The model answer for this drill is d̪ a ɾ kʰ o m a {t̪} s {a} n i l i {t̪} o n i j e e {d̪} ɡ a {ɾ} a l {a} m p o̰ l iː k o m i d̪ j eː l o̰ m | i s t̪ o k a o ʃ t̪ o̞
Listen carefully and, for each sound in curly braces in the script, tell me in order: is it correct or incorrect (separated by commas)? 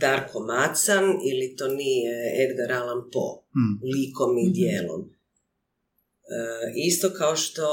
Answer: correct, correct, correct, correct, correct, correct